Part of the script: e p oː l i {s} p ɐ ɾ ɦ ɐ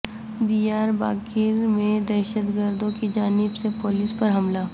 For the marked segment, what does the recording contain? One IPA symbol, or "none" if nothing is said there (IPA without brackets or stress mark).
s